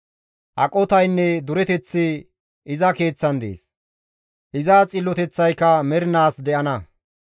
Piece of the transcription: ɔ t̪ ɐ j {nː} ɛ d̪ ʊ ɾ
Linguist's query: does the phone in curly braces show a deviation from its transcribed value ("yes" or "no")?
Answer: no